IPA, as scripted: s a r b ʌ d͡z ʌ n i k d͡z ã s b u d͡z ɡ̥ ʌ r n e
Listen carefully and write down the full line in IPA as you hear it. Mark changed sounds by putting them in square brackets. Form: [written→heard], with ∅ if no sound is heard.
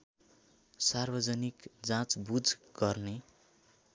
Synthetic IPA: s a r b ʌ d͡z ʌ n i k d͡z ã [s→t͡s] b u d͡z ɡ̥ ʌ r n e

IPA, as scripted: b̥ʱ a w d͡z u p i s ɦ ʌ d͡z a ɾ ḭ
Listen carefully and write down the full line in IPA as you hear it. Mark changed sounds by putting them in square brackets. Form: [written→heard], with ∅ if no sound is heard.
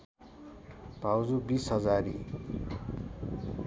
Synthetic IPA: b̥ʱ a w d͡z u [p→b] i s ɦ ʌ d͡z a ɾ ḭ

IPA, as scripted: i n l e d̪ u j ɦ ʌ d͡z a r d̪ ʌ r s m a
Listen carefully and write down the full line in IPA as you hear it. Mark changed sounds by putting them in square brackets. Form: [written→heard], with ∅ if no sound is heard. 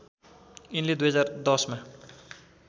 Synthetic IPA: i n l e d̪ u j ɦ ʌ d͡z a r d̪ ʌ [r→∅] s m a

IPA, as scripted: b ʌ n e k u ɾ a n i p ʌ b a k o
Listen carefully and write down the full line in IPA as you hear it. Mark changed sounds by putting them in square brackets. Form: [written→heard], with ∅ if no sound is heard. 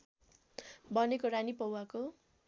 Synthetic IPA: b ʌ n e k [u→o] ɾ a n i p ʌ [b→w] a k o

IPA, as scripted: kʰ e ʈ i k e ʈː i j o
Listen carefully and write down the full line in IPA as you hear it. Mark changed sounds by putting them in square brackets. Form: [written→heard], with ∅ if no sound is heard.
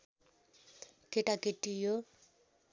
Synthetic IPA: [kʰ→k] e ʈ [i→a] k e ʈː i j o

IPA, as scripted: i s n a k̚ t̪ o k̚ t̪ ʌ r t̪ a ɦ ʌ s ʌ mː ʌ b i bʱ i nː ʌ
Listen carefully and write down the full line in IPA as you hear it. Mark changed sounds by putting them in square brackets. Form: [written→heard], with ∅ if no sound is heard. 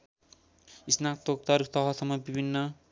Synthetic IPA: i s n a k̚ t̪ o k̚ t̪ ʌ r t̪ [a→ʌ] ɦ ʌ s ʌ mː ʌ b i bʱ i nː ʌ

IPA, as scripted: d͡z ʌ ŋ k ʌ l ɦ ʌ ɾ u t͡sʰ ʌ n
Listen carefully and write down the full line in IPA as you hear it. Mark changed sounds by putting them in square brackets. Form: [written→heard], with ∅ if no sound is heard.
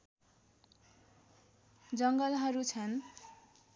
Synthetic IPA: d͡z ʌ ŋ [k→ɡ] ʌ l ɦ ʌ ɾ u t͡sʰ ʌ n

